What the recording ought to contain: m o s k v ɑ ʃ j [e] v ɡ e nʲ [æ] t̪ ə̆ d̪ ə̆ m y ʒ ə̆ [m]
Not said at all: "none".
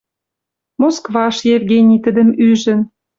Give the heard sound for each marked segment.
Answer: e, i, n

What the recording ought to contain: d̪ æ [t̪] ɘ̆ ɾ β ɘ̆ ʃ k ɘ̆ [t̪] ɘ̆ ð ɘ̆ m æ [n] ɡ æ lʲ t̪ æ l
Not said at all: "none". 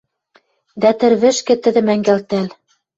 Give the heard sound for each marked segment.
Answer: t̪, t̪, ŋ

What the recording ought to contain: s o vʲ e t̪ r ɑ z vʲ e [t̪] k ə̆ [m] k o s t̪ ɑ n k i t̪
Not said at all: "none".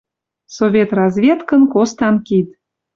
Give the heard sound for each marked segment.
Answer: t̪, n

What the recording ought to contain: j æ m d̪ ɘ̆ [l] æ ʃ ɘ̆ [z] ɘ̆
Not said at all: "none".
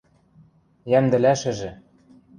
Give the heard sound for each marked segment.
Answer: l, ʒ

